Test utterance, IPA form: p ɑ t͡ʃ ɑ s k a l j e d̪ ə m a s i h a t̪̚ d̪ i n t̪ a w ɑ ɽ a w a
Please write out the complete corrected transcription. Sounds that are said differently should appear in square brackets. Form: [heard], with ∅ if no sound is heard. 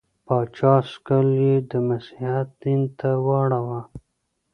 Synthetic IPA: p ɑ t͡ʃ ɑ s k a l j e d̪ ə m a s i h a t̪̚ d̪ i n t̪ a w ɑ ɽ a w a